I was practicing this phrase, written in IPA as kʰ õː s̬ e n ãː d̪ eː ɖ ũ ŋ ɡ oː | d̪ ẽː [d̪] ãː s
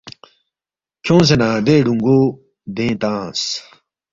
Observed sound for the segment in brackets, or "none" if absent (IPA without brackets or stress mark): t̪